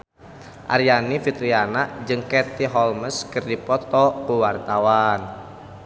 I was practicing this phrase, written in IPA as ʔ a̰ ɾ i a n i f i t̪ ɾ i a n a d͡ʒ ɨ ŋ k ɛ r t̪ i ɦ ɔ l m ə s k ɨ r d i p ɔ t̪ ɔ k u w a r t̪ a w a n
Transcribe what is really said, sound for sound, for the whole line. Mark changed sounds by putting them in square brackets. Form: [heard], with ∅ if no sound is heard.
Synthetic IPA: ʔ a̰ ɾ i a n i f i t̪ ɾ i a n a d͡ʒ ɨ ŋ k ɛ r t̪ i ɦ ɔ l m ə s k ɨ r d i p ɔ t̪ ɔ k u w a r t̪ a w a n